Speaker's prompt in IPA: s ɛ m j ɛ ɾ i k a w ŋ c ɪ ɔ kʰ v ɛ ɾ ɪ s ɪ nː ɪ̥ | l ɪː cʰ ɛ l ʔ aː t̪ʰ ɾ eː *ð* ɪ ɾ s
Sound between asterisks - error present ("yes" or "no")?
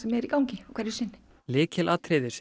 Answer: no